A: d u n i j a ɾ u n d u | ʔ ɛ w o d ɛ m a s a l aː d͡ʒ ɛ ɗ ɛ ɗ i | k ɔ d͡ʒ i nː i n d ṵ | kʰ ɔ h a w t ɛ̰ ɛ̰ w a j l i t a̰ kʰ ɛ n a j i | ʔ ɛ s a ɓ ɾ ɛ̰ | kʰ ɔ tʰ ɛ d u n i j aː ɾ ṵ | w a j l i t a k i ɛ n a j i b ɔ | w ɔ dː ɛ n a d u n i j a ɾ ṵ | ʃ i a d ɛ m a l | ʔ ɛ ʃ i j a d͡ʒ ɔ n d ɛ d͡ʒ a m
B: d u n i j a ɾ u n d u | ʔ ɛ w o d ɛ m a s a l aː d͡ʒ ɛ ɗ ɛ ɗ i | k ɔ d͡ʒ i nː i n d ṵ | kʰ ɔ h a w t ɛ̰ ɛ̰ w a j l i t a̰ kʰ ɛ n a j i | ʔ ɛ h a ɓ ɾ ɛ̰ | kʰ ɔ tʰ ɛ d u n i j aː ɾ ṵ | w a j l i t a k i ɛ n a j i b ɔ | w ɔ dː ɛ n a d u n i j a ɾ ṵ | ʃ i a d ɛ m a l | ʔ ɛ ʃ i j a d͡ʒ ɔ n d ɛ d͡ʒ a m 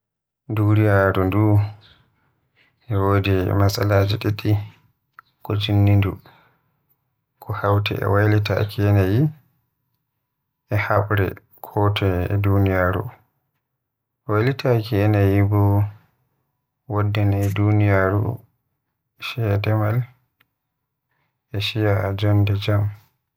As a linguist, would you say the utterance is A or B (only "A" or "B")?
B